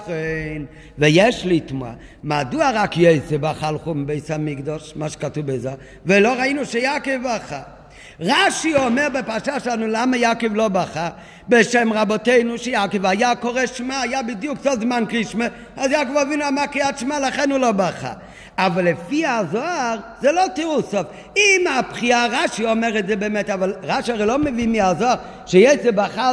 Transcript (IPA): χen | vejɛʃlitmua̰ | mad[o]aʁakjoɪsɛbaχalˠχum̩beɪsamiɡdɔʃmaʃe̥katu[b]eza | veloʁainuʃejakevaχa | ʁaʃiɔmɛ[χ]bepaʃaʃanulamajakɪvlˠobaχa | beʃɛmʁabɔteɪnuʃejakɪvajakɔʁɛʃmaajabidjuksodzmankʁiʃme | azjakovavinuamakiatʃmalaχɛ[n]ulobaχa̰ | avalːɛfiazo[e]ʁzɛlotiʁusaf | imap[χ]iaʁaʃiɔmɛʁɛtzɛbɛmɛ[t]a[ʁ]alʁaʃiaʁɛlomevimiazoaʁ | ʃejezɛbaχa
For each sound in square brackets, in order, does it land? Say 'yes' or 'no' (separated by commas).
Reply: no, yes, no, yes, no, yes, yes, no